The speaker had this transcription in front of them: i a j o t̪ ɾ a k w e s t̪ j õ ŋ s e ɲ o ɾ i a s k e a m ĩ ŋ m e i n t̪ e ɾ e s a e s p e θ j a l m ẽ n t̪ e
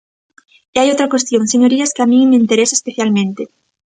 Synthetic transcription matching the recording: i a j o t̪ ɾ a k w e s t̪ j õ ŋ s e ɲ o ɾ i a s k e a m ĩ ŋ m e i n t̪ e ɾ e s a e s p e θ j a l m ẽ n t̪ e